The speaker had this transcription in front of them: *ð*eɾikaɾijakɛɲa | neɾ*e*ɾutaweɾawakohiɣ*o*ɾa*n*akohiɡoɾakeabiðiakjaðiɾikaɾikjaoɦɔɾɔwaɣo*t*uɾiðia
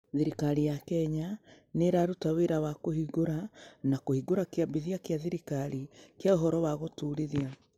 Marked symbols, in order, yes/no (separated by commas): yes, no, yes, yes, yes